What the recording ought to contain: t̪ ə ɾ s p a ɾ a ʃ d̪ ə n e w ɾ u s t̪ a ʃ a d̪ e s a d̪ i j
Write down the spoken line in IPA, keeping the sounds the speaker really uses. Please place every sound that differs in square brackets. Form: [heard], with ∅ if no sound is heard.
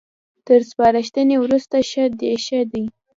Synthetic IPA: t̪ ə ɾ s p [ɑ] ɾ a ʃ [t̪] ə n e w ɾ u s t̪ a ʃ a d̪ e [ʃ] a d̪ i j